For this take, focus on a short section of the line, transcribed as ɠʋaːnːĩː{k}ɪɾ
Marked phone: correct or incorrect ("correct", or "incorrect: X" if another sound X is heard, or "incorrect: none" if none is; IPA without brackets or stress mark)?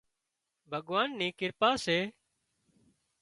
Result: correct